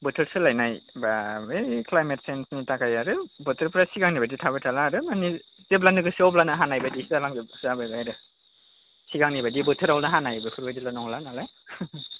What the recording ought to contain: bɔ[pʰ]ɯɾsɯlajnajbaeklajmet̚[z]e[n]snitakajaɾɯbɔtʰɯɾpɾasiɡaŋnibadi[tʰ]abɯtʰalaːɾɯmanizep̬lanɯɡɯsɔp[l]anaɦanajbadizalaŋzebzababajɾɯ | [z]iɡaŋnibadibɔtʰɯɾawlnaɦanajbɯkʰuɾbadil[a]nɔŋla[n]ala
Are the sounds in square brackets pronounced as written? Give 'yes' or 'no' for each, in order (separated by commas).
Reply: no, no, yes, yes, yes, no, yes, yes